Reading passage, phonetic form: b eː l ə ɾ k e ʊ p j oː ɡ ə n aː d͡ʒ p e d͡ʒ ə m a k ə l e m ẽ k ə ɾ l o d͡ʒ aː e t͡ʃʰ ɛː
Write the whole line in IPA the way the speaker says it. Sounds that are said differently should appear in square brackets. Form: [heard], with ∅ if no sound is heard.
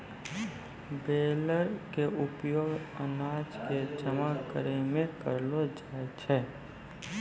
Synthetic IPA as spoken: b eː l ə ɾ k e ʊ p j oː ɡ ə n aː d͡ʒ [k] e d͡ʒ ə m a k ə [ɾ] e m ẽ k ə ɾ l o d͡ʒ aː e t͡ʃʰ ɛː

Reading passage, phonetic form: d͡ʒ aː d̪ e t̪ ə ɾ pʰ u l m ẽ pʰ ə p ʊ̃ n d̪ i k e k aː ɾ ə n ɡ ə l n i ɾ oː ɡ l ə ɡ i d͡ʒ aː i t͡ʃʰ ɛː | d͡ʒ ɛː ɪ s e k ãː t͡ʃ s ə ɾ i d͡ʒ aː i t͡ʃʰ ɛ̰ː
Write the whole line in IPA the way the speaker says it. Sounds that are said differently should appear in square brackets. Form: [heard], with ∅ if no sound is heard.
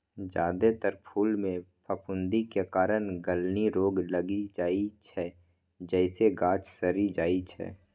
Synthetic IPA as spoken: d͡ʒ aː d̪ e t̪ ə ɾ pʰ [uː] l m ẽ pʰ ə p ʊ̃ n d̪ i k e k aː ɾ ə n ɡ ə l n i ɾ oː ɡ l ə ɡ i d͡ʒ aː i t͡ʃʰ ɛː | d͡ʒ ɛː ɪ s e [ɡ] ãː t͡ʃ s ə ɾ i d͡ʒ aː i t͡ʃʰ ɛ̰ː

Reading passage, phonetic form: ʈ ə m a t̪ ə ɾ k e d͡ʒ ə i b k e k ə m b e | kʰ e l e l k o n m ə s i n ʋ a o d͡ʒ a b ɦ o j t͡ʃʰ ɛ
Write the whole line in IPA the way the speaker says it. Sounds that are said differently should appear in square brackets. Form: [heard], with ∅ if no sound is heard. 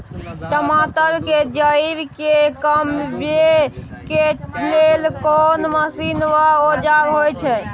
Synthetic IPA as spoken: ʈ ə m a t̪ ə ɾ k e d͡ʒ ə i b k e k ə m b e | [k] e l e l k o n m ə s i n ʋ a o d͡ʒ a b ɦ o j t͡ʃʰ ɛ

